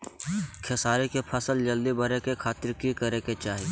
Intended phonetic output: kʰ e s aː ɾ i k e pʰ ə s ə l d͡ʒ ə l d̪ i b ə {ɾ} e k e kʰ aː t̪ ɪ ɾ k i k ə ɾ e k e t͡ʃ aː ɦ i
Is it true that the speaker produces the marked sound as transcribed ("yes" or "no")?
yes